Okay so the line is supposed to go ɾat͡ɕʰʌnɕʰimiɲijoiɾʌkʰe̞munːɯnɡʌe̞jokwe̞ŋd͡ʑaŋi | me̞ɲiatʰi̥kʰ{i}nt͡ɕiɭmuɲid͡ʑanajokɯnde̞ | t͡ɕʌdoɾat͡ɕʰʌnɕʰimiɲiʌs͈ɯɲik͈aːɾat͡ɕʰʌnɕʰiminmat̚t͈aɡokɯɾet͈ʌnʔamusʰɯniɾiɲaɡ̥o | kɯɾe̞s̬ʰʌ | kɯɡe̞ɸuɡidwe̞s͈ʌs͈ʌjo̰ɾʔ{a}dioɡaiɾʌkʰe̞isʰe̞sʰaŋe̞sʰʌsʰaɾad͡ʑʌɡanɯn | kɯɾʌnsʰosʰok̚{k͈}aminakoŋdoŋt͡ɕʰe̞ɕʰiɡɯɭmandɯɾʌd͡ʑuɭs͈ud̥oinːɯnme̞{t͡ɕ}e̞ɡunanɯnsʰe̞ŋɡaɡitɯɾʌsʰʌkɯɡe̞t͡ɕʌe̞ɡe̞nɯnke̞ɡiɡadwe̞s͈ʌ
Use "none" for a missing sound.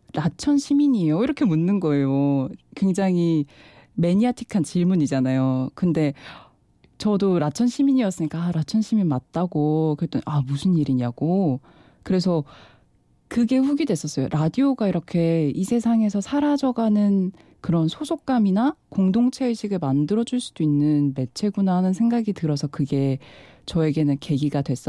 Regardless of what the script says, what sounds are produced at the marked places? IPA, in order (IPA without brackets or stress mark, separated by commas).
a, a, k͈, t͡ɕʰ